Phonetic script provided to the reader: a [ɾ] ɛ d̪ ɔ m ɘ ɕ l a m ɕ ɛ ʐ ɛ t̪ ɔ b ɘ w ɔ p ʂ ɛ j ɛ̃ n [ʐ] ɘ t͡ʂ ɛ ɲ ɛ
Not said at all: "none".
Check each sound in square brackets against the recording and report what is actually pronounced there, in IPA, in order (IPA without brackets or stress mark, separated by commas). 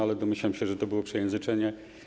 l, z